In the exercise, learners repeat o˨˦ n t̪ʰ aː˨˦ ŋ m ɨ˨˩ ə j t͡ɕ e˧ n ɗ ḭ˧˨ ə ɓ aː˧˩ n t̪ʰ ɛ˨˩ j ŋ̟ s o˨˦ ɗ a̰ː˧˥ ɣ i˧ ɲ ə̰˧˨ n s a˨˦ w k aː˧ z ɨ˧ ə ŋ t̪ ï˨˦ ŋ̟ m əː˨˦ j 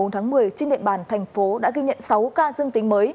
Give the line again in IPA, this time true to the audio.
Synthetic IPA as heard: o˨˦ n t̪ʰ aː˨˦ ŋ m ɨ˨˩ ə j t͡ɕ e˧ n ɗ ḭ˧˨ ə ɓ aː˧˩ n t̪ʰ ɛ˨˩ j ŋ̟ f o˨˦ ɗ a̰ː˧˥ ɣ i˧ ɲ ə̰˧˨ n s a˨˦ w k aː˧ z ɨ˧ ə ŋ t̪ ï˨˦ ŋ̟ m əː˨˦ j